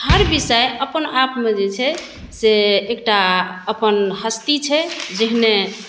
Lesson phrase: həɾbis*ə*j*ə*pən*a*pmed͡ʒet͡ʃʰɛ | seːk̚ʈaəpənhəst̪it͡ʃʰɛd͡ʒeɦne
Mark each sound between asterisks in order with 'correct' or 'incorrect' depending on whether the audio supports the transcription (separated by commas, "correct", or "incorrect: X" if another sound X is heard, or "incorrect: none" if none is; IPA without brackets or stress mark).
correct, correct, correct